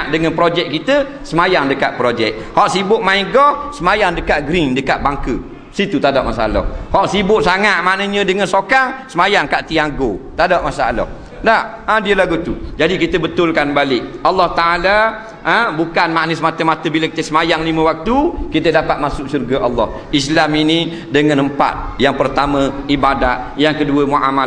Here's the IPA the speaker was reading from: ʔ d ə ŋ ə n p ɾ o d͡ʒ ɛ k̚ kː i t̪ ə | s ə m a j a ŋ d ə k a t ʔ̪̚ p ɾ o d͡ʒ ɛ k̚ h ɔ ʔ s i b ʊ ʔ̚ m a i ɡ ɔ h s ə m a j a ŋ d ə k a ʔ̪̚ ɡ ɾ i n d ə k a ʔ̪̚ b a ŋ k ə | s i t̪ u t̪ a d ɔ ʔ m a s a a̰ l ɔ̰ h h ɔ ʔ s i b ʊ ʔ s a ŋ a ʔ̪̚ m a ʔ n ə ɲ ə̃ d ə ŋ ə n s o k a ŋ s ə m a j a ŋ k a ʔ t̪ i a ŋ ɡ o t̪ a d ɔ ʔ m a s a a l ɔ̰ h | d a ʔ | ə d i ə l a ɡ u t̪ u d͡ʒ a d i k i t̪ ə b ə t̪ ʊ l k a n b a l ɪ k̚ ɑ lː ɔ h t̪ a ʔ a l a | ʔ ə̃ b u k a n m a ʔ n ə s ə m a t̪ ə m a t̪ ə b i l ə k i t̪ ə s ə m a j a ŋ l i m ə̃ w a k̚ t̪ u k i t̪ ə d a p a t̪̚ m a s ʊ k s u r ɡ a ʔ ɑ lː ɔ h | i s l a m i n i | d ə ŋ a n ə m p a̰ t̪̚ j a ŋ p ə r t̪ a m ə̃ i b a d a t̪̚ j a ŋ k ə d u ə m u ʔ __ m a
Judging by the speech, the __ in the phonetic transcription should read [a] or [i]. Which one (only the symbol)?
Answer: a